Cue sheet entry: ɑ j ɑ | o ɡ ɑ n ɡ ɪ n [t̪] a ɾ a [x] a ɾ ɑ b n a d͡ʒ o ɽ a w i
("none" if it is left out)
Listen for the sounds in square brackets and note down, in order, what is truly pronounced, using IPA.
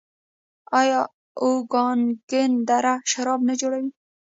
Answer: d̪, ʃ

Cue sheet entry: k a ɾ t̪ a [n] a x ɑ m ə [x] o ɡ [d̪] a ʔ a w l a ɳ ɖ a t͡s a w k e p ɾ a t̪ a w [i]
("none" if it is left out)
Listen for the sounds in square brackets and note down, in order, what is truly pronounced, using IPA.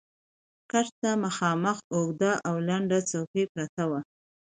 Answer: m, x, d̪, a

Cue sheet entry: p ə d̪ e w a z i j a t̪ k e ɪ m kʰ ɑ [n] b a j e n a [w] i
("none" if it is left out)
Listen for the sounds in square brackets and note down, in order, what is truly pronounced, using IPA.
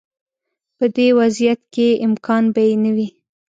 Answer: n, w

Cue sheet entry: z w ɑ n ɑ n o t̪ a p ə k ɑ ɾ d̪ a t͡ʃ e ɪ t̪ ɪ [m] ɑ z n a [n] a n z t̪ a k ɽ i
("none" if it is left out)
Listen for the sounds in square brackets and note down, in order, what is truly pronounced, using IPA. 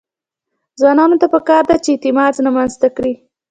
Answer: m, m

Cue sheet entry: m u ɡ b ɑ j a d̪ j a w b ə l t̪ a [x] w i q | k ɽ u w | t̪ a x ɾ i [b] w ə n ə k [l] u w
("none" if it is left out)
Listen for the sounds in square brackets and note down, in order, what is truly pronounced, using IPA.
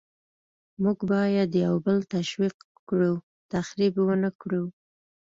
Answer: ʃ, b, ɽ

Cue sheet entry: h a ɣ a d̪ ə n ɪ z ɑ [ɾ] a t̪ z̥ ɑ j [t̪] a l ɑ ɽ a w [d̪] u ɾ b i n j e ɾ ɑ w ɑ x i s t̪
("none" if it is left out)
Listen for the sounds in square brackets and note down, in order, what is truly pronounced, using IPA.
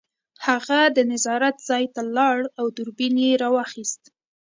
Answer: ɾ, t̪, d̪

